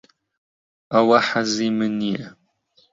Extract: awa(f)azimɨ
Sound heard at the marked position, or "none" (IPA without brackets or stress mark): ħ